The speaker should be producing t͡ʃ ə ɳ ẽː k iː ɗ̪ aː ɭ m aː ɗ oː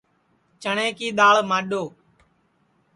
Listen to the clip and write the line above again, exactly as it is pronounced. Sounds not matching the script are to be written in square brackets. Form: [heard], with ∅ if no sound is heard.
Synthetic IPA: t͡ʃ ə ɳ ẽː k iː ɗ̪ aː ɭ m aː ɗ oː

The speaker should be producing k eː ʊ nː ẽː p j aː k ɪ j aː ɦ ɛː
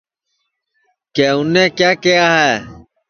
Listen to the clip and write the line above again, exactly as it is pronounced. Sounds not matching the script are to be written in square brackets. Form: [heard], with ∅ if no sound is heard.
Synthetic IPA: k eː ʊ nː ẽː [k] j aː k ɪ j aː ɦ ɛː

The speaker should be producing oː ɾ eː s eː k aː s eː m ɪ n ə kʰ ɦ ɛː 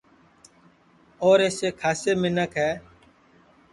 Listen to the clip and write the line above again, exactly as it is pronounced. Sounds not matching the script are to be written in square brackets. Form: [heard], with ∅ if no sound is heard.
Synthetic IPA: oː ɾ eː s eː [kʰ] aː s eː m ɪ n ə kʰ ɦ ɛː

